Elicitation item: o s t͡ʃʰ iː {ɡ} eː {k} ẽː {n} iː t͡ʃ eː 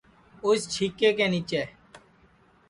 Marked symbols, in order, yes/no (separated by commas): no, yes, yes